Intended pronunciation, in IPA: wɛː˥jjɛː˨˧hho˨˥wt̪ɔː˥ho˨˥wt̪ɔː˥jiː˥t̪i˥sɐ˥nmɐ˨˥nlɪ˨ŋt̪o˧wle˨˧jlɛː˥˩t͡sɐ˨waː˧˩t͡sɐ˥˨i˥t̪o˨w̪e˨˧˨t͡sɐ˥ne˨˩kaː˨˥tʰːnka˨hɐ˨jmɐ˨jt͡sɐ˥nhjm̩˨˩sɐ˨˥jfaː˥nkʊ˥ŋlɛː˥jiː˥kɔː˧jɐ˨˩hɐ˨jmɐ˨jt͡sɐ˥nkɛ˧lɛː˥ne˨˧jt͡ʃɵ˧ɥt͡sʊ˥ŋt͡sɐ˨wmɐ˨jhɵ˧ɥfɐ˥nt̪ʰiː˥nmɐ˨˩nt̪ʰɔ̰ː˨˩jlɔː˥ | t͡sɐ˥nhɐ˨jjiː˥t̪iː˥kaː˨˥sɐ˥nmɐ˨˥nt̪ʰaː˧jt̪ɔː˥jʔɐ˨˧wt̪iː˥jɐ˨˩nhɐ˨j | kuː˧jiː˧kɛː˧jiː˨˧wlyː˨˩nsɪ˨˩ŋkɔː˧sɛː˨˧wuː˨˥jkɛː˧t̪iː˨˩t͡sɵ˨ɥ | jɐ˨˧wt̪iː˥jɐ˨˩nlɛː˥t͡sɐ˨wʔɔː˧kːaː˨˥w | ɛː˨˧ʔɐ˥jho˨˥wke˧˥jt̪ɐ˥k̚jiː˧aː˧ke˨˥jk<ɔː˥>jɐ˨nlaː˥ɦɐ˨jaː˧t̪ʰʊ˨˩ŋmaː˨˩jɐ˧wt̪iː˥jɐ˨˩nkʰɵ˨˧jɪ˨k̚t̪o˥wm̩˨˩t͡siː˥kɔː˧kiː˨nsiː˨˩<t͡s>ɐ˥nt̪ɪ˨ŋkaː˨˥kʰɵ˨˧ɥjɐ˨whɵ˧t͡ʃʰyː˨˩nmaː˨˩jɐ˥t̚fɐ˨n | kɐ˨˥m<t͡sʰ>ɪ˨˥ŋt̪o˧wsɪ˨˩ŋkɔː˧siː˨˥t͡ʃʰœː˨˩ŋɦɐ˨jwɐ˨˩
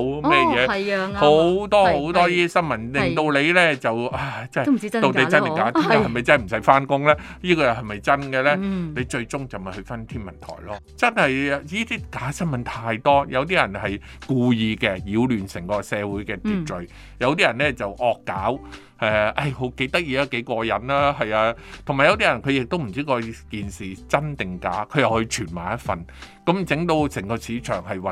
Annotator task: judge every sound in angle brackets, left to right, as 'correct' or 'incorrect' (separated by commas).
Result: incorrect, correct, incorrect